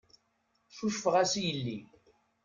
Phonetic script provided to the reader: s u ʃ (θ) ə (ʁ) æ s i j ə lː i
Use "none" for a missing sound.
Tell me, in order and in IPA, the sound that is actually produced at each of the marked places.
f, ʁ

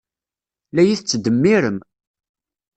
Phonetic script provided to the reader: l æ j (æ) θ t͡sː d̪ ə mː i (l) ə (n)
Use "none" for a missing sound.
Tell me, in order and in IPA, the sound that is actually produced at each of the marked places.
i, ɾ, m

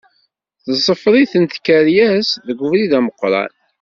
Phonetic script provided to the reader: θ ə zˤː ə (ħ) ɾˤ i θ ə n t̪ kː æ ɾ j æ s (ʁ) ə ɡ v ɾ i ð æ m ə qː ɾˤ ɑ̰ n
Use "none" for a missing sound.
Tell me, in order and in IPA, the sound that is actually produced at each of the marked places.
f, ð

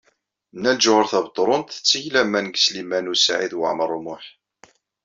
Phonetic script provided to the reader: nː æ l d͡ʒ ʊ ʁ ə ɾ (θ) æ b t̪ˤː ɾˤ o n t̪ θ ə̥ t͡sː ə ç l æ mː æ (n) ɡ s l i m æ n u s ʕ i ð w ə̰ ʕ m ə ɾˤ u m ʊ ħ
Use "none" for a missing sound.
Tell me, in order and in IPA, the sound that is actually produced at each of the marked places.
θ, n

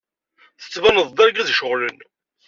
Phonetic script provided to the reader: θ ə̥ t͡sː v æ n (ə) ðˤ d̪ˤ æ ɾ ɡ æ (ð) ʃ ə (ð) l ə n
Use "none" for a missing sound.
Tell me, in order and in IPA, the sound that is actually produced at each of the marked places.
ə, ð, ʁ

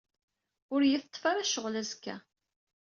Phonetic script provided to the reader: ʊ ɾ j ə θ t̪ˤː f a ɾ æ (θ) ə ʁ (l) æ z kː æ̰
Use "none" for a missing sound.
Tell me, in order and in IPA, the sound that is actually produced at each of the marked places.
ʃ, l

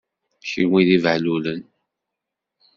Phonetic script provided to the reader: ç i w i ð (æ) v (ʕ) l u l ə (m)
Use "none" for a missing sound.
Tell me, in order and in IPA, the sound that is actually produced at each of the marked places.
i, ʕ, n

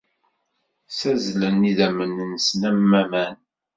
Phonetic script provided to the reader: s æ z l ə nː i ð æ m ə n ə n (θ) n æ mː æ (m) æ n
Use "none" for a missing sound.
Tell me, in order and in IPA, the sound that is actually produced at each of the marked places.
s, m

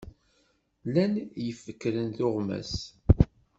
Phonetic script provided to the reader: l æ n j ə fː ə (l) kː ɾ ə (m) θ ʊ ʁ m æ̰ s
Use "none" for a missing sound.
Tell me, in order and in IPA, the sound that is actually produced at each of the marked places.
none, n

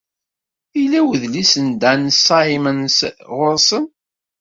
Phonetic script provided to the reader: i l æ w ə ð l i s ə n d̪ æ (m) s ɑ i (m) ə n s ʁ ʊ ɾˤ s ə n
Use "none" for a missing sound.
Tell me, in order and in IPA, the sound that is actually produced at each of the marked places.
n, m

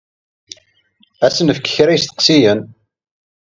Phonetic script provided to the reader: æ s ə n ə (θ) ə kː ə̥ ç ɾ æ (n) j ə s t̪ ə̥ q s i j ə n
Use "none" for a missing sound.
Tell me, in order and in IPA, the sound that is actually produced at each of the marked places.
f, none

